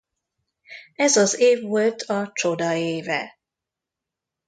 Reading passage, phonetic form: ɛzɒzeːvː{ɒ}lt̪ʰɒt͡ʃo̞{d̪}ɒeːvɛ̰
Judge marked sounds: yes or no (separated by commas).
no, yes